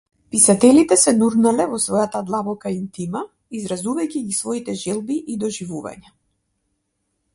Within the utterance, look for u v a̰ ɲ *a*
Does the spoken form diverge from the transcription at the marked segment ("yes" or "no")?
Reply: no